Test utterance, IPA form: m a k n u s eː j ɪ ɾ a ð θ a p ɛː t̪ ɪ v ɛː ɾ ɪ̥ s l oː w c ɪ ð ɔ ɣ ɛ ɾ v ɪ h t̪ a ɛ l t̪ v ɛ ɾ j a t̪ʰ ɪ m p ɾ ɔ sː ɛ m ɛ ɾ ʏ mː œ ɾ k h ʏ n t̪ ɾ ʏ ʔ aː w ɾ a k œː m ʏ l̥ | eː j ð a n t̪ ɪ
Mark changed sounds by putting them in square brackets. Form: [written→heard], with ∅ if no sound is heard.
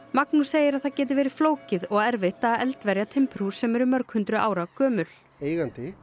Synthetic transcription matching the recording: m a k n u s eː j ɪ ɾ a ð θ a [p→c] ɛː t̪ ɪ v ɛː ɾ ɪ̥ [s→f] l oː w c ɪ ð ɔ ɣ ɛ ɾ v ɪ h t̪ a ɛ l t̪ v ɛ ɾ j a t̪ʰ ɪ m p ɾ [ɔ→u] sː ɛ m ɛ ɾ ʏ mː œ ɾ k h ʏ n t̪ ɾ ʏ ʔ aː w ɾ a k œː m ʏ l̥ | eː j [ð→ɣ] a n t̪ ɪ